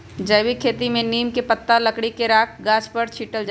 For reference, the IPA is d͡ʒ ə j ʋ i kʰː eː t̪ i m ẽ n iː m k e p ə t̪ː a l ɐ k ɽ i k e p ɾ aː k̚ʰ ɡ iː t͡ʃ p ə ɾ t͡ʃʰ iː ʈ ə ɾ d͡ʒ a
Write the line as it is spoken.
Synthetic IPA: d͡ʒ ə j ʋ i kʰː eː t̪ i m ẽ n iː m k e p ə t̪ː a l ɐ k ɽ i k e ɾ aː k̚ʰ ɡ aː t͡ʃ p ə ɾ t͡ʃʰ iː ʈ ə l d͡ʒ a